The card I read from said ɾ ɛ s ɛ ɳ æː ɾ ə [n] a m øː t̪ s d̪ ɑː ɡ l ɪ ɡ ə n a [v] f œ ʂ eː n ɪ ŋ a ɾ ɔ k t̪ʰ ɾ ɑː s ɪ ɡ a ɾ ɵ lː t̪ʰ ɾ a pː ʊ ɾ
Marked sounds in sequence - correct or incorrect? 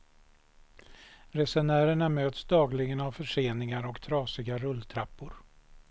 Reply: incorrect: ɳ, correct

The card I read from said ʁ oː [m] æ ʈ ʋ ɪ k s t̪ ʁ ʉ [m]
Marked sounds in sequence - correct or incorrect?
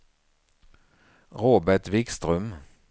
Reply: incorrect: b, correct

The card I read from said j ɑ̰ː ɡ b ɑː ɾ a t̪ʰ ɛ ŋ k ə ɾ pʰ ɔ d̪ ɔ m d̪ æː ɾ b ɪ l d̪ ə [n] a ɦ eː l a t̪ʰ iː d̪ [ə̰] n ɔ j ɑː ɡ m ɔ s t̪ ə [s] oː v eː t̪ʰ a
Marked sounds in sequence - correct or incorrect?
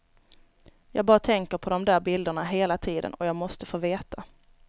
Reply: incorrect: ɳ, correct, incorrect: f

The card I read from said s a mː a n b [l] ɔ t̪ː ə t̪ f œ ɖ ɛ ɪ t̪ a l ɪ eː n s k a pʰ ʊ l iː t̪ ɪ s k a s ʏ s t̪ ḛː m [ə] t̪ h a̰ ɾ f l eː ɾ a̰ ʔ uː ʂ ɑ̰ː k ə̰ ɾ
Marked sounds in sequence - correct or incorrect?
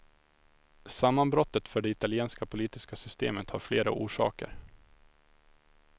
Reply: incorrect: ɾ, correct

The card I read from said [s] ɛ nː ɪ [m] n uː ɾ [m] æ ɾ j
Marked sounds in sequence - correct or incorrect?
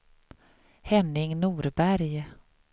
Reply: incorrect: h, incorrect: ŋ, incorrect: b

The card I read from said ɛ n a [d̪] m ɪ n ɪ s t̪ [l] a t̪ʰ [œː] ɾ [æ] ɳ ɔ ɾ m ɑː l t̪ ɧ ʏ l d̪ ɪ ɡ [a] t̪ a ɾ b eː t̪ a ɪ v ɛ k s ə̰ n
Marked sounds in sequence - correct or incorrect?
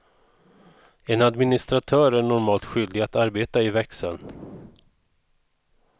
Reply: correct, incorrect: ɾ, correct, correct, correct

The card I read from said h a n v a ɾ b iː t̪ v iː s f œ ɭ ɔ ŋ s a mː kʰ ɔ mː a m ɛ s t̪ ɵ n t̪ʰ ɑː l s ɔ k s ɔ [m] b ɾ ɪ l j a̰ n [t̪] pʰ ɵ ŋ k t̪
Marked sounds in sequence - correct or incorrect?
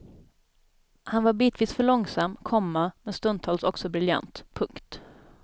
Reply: incorrect: none, correct

